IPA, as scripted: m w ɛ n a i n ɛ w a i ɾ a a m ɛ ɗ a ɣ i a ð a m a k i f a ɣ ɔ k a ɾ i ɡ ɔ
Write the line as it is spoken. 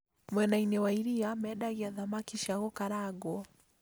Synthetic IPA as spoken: m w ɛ n a i n ɛ w a i ɾ i a m ɛ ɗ a ɣ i a ð a m a k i ʃ a ɣ ɔ k a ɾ a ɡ ɔ